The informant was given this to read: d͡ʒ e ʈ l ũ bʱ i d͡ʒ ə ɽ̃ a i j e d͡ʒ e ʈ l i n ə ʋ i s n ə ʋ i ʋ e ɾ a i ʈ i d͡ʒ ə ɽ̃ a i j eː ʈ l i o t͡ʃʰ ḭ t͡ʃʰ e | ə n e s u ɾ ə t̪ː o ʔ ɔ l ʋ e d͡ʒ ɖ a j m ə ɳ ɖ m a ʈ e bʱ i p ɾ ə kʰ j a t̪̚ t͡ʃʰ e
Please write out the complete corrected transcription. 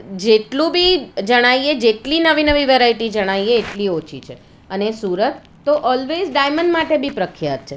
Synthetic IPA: d͡ʒ e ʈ l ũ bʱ i d͡ʒ ə ɽ̃ a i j e d͡ʒ e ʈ l i n ə ʋ i n ə ʋ i ʋ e ɾ a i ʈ i d͡ʒ ə ɽ̃ a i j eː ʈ l i o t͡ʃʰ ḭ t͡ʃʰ e | ə n e s u ɾ ə t̪ː o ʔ ɔ l ʋ e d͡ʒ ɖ a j m ə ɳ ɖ m a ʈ e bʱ i p ɾ ə kʰ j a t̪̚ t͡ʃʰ e